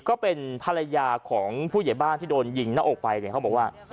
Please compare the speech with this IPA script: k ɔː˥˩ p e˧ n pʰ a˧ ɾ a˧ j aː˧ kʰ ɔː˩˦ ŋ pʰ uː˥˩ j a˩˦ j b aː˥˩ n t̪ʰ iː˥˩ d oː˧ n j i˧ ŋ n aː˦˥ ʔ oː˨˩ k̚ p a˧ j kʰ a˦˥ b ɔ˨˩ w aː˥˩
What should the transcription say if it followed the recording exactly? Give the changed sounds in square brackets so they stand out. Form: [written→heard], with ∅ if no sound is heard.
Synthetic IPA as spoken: k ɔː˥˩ p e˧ n pʰ a˧ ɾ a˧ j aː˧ kʰ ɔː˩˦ ŋ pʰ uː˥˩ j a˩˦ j b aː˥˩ n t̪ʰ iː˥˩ d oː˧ n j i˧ ŋ n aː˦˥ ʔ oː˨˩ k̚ p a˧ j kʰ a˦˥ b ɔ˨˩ w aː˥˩